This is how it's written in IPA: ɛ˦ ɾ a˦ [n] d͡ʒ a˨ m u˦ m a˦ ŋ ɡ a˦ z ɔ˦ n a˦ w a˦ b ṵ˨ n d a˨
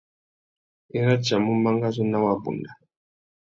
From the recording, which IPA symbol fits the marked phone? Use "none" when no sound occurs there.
none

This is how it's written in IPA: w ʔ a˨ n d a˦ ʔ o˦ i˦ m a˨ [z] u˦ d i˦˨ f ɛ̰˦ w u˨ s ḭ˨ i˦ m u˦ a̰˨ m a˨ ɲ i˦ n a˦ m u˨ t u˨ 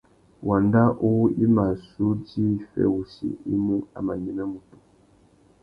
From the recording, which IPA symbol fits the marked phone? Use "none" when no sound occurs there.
s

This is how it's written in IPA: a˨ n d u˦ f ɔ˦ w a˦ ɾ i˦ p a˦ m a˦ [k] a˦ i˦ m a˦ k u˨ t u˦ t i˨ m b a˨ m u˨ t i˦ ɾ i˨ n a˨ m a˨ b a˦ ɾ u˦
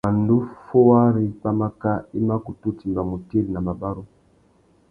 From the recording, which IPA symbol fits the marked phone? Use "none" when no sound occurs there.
k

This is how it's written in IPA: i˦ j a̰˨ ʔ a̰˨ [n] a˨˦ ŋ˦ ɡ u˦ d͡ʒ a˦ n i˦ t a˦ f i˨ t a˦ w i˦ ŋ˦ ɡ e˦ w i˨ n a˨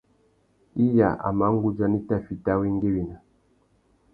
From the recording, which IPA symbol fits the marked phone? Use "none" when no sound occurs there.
m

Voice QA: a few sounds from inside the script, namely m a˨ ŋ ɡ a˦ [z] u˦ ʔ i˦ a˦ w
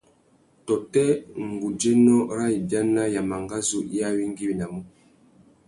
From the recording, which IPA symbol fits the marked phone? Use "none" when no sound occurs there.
z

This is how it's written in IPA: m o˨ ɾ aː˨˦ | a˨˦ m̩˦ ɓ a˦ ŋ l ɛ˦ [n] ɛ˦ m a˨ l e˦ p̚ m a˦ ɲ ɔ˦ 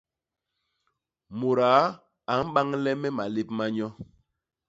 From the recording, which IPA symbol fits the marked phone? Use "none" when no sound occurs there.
m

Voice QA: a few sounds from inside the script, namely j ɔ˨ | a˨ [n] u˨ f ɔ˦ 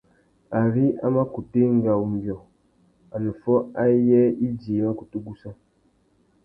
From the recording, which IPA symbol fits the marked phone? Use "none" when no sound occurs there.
n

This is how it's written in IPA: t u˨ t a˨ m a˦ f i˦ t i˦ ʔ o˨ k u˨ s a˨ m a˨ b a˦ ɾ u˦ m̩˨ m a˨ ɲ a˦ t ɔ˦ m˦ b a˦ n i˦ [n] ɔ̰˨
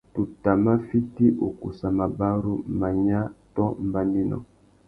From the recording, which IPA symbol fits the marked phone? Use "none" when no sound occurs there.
n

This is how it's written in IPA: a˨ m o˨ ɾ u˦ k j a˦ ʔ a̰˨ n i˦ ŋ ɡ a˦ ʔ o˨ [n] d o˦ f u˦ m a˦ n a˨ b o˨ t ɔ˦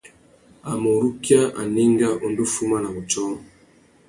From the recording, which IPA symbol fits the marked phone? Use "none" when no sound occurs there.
n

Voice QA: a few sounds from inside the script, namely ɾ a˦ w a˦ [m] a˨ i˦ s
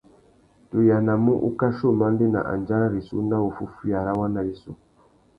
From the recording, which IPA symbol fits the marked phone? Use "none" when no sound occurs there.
n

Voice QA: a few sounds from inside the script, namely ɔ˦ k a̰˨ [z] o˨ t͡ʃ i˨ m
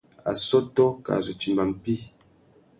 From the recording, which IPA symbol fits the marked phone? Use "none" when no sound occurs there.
z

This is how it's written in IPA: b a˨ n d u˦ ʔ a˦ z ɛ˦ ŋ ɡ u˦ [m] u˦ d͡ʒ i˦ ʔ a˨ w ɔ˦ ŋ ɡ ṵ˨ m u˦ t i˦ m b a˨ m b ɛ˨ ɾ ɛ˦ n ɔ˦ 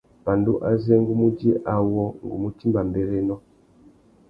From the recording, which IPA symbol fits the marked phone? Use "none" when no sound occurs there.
m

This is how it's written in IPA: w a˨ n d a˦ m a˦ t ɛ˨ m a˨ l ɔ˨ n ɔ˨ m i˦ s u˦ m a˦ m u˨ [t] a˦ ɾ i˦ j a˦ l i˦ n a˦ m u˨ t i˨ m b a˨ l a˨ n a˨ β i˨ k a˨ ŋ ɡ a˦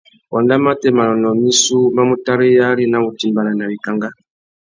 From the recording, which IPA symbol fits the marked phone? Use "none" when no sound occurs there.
t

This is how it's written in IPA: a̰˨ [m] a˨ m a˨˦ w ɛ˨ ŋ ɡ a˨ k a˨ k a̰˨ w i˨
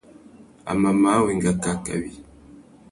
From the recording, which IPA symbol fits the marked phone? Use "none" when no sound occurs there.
m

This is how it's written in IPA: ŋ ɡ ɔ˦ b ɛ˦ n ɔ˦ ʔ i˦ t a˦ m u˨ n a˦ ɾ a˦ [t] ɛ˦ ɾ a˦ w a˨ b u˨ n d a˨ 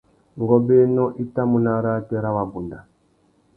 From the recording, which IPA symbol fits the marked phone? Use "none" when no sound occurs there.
t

